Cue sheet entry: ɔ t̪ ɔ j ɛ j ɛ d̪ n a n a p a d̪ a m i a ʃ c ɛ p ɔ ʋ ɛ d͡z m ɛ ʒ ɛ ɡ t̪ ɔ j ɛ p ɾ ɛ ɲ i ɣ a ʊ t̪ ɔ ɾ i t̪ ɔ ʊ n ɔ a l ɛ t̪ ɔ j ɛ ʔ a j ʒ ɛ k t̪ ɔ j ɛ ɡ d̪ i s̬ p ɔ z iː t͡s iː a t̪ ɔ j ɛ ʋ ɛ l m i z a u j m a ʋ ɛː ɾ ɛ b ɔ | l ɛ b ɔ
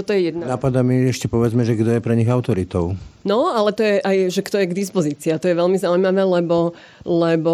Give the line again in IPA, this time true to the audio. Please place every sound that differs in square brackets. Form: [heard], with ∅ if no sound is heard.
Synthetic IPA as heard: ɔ t̪ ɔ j ɛ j ɛ d̪ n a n a p a d̪ a m i [ɛ] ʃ c ɛ p ɔ ʋ ɛ d͡z m ɛ ʒ ɛ ɡ [d̪] ɔ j ɛ p ɾ ɛ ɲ i ɣ a ʊ t̪ ɔ ɾ i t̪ ɔ ʊ n ɔ a l ɛ t̪ ɔ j ɛ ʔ a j ʒ ɛ k t̪ ɔ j ɛ ɡ d̪ i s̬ p ɔ z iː t͡s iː a t̪ ɔ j ɛ ʋ ɛ l m i z a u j m a ʋ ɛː [l] ɛ b ɔ | l ɛ b ɔ